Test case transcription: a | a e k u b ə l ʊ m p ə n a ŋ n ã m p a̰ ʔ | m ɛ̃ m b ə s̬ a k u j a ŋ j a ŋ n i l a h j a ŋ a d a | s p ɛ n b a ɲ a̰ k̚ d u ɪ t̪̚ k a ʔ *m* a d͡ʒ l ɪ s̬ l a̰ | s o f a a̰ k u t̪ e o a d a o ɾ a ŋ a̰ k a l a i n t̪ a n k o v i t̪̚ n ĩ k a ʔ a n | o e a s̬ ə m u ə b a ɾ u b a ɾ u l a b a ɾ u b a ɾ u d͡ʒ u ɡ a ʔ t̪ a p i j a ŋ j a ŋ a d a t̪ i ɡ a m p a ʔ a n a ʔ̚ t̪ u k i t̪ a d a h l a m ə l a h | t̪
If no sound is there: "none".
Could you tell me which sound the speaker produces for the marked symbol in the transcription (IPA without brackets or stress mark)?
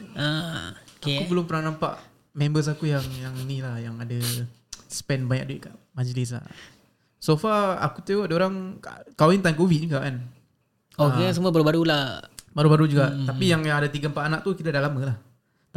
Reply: m